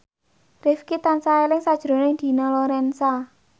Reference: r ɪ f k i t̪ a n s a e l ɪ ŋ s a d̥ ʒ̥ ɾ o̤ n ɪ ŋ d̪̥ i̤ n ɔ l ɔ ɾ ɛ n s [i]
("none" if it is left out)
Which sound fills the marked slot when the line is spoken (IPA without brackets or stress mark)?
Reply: a